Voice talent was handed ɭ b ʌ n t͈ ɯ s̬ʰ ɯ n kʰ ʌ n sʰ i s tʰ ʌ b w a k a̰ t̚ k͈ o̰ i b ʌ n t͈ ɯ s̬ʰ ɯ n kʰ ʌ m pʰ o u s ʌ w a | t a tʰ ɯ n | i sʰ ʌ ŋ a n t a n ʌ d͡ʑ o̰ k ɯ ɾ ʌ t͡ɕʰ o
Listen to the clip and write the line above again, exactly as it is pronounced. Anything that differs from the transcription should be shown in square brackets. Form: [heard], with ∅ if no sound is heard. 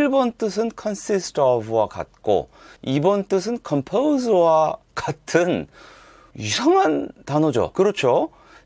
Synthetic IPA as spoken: ɭ b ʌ n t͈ ɯ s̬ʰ ɯ n kʰ ʌ n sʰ i s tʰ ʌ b w a k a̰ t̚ k͈ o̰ i b ʌ n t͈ ɯ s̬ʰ ɯ n kʰ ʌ m pʰ o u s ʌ w a | [k] a tʰ ɯ n | i sʰ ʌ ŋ a n t a n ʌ d͡ʑ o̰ k ɯ ɾ ʌ t͡ɕʰ o